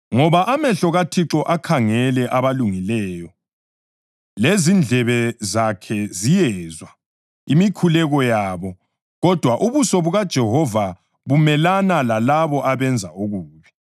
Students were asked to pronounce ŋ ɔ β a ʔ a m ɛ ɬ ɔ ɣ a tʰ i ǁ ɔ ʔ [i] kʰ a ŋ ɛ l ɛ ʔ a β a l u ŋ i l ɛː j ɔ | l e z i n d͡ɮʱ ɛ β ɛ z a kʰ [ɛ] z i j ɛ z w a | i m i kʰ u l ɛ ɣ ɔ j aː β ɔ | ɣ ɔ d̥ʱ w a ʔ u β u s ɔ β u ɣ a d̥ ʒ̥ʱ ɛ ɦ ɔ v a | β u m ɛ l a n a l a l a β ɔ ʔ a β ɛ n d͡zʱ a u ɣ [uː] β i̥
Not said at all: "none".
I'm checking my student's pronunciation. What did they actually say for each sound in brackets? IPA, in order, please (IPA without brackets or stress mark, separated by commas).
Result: a, ɛ, uː